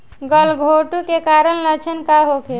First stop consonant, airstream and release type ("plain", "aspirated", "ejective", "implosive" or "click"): plain